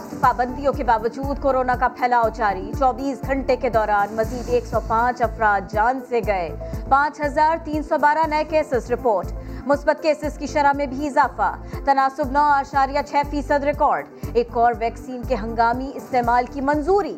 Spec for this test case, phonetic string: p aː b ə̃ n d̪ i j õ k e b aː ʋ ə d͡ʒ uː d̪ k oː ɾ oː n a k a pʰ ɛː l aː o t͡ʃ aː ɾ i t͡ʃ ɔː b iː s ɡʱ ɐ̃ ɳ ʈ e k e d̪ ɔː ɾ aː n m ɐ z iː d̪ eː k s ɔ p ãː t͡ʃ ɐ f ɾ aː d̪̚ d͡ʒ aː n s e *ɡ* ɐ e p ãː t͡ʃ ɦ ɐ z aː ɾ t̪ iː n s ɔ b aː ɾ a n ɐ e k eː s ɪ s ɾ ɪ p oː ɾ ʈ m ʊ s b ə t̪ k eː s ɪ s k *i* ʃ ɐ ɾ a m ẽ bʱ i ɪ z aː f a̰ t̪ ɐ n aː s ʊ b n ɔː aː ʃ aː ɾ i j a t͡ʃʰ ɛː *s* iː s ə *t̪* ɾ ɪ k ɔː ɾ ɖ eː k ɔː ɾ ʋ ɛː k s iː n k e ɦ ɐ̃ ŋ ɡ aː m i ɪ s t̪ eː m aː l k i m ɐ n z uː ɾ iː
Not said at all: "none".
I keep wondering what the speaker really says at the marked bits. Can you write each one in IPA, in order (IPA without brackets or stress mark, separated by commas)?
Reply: ɡ, i, f, d̪